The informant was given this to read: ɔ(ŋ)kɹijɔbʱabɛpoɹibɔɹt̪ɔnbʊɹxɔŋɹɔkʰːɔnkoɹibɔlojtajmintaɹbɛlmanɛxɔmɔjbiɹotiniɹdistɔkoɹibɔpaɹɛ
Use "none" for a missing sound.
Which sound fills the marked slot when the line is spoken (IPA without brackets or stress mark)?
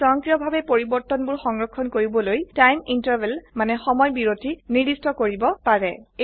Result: ŋ